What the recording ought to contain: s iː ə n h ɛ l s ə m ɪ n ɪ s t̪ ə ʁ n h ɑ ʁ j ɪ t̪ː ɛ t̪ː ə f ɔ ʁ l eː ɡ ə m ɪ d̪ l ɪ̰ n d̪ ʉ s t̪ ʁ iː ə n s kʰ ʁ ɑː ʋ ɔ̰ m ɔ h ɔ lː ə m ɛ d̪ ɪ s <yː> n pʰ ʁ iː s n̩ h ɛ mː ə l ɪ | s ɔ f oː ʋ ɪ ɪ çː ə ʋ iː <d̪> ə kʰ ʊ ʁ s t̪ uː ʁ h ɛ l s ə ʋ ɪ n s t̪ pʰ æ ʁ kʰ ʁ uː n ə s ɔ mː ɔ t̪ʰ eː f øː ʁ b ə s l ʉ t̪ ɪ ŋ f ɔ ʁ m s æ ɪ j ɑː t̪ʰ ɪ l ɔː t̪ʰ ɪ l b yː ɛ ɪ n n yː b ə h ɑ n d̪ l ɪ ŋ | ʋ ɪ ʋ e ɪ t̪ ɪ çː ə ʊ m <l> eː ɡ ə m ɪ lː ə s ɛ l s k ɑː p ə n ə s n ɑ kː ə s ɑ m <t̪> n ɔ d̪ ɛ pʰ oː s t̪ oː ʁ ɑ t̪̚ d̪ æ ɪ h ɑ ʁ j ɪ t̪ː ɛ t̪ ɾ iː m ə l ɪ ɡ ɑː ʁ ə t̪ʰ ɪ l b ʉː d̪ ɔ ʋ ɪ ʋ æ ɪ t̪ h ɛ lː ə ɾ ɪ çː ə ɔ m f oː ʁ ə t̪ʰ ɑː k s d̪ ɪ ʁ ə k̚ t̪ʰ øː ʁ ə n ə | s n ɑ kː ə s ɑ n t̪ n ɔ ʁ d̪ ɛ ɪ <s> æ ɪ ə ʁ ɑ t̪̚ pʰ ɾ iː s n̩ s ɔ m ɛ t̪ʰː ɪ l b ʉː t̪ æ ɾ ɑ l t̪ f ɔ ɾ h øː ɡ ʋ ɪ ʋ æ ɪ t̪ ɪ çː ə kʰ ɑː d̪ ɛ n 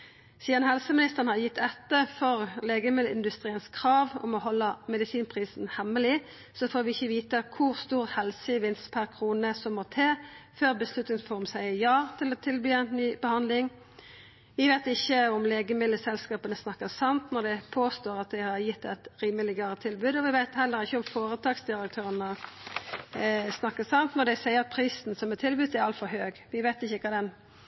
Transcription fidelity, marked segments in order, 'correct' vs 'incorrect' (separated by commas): incorrect, incorrect, correct, correct, correct